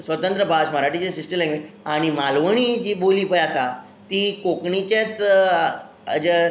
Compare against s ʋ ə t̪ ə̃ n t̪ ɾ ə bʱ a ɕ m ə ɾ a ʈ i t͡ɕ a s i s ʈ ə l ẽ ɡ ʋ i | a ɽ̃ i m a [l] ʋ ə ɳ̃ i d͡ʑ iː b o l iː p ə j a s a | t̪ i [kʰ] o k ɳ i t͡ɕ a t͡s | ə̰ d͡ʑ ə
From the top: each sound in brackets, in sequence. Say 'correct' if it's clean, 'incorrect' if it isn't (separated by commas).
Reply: correct, incorrect